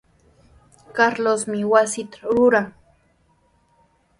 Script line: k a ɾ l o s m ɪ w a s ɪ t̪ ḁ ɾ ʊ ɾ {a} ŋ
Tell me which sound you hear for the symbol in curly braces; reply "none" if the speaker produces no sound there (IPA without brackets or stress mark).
a